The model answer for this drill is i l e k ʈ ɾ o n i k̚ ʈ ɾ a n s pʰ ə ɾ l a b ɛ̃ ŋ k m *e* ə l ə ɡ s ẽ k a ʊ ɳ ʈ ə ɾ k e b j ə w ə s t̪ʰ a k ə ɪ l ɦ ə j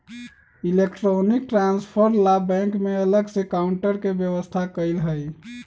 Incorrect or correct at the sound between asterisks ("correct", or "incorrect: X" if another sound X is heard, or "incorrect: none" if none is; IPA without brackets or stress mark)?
correct